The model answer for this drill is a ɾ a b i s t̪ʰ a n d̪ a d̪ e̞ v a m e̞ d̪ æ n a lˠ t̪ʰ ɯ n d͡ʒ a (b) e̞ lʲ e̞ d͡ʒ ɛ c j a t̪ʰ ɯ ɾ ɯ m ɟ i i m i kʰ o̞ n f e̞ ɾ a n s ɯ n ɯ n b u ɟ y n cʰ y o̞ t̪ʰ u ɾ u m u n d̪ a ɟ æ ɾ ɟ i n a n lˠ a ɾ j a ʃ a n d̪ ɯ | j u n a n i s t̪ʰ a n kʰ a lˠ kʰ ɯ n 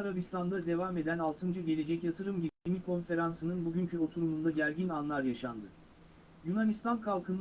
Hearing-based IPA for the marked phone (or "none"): ɟ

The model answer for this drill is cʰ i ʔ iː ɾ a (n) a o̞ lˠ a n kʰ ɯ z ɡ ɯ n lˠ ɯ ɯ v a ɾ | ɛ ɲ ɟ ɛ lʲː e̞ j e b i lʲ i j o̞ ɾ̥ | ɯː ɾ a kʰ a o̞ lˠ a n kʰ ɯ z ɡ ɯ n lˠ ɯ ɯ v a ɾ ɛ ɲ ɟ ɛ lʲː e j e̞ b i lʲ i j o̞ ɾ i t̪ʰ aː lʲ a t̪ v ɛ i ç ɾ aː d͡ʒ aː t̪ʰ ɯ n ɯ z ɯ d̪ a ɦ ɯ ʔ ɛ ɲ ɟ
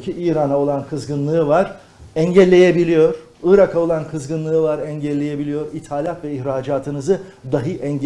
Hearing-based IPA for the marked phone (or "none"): n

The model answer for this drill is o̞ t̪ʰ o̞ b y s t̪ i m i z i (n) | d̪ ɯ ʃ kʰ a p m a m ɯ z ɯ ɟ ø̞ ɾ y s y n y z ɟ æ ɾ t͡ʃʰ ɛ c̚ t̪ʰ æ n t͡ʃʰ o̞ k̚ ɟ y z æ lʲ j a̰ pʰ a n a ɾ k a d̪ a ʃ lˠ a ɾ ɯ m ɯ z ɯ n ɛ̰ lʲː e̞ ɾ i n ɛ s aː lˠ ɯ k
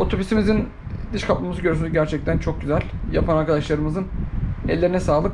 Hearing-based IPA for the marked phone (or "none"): n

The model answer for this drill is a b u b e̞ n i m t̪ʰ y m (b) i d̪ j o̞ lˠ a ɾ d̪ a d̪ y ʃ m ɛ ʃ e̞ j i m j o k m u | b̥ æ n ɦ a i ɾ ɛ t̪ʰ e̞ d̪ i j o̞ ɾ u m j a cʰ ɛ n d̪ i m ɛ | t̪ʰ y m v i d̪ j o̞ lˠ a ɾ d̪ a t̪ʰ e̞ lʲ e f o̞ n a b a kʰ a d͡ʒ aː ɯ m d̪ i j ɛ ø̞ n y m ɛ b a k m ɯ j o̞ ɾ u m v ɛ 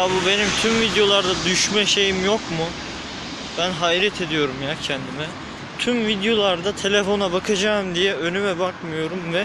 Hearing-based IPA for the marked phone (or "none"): v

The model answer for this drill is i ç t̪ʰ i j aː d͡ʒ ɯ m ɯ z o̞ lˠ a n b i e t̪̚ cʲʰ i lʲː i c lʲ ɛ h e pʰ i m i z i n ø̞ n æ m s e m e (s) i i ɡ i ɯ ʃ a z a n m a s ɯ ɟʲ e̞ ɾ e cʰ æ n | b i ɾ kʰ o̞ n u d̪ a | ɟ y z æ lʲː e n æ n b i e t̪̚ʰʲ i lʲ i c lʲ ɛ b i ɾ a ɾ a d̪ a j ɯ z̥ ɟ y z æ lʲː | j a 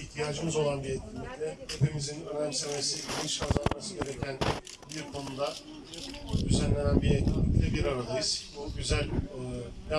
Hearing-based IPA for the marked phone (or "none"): s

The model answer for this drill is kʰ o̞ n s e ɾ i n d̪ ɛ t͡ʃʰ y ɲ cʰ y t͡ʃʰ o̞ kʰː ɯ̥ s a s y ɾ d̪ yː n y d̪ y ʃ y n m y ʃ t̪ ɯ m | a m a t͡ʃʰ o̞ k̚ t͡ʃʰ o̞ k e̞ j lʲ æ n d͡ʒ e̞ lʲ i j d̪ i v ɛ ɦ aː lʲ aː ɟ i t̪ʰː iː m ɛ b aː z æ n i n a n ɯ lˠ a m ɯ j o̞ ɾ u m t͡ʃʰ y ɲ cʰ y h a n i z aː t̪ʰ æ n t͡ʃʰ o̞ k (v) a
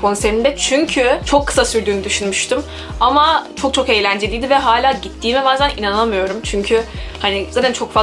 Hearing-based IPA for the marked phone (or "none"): f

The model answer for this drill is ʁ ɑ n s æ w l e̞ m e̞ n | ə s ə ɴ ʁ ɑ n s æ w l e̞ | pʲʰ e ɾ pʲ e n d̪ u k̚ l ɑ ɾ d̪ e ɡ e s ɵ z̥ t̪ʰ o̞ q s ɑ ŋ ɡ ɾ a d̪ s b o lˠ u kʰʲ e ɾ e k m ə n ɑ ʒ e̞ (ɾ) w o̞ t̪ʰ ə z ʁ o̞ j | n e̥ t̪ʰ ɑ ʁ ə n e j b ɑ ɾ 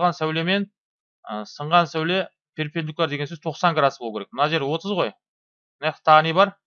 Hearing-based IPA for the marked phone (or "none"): ɾ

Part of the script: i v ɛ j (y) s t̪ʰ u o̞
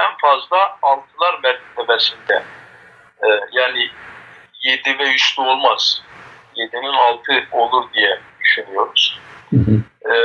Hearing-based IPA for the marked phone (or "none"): y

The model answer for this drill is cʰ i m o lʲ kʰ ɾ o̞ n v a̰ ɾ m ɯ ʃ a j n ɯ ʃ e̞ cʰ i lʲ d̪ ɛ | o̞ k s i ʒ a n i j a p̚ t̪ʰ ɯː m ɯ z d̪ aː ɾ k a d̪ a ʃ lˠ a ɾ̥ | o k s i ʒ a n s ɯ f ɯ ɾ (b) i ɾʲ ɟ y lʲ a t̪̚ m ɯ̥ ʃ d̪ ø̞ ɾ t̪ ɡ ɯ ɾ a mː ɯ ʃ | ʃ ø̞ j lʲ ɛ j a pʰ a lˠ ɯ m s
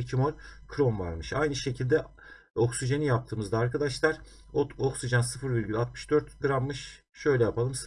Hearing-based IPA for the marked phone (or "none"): v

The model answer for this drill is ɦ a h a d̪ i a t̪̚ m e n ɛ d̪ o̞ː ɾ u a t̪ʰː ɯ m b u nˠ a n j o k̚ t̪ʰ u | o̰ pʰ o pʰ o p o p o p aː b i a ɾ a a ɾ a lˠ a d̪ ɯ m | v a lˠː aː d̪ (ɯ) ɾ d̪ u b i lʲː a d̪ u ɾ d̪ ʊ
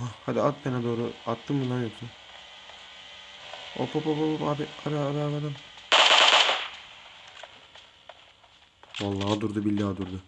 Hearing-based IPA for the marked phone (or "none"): u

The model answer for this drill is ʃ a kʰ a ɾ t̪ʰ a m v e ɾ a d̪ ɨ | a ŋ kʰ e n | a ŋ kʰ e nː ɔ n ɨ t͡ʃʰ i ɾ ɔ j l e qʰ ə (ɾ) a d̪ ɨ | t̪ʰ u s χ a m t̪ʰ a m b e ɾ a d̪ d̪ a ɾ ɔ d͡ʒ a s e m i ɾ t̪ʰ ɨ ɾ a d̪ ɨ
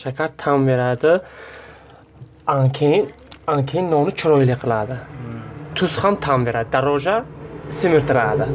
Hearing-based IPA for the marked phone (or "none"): l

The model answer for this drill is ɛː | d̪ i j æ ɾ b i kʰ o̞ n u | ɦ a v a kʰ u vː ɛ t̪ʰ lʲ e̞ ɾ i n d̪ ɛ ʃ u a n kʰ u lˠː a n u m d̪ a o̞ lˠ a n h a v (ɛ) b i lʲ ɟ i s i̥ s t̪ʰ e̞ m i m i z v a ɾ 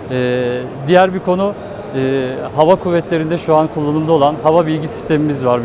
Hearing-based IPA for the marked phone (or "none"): a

